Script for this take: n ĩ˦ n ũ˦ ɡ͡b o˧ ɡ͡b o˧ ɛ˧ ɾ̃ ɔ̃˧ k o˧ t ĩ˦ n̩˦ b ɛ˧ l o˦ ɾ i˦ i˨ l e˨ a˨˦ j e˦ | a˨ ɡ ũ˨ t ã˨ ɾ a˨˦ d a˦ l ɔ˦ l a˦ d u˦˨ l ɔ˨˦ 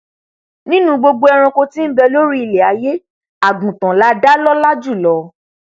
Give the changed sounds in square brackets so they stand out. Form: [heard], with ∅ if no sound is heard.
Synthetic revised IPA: n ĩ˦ n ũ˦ ɡ͡b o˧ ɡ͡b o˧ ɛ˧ ɾ̃ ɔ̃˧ k o˧ t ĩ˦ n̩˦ b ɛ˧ l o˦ ɾ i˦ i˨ l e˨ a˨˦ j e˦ | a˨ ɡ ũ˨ t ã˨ [l] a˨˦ d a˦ l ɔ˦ l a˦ [d͡ʒ] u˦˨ l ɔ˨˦